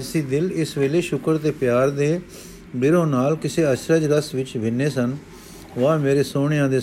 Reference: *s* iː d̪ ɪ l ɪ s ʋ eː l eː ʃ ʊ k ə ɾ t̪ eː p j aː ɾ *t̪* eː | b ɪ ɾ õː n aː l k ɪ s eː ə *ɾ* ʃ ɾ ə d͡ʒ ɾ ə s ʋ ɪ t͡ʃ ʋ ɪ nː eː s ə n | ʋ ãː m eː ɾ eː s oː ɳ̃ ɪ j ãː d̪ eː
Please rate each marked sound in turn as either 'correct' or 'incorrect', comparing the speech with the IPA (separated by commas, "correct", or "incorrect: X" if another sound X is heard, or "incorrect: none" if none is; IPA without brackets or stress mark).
correct, incorrect: d̪, incorrect: none